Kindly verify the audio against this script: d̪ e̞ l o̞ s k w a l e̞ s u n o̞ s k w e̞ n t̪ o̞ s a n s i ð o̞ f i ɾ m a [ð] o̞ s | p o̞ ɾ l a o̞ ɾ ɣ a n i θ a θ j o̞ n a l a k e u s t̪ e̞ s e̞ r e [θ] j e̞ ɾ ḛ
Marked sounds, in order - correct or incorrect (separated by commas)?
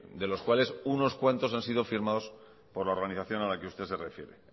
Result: correct, incorrect